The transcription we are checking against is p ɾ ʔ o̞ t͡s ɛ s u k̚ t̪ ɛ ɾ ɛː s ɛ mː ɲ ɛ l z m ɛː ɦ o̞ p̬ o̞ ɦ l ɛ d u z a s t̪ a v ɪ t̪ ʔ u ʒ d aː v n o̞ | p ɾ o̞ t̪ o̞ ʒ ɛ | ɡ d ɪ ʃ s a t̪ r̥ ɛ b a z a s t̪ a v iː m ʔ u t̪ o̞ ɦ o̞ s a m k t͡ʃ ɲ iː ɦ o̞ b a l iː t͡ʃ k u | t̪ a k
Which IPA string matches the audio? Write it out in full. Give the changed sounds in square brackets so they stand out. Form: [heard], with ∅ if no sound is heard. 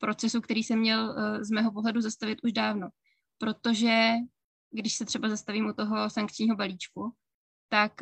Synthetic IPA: p ɾ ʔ o̞ t͡s ɛ s u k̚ t̪ ɛ ɾ [iː] s ɛ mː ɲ ɛ l z m ɛː ɦ o̞ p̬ o̞ ɦ l ɛ d u z a s t̪ a v ɪ t̪ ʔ u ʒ d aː v n o̞ | p ɾ o̞ t̪ o̞ ʒ ɛ | ɡ d ɪ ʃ s [ɛ] t̪ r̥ ɛ b a z a s t̪ a v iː m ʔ u t̪ o̞ ɦ o̞ s a [ŋ] k t͡ʃ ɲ iː ɦ o̞ b a l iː t͡ʃ k u | t̪ a k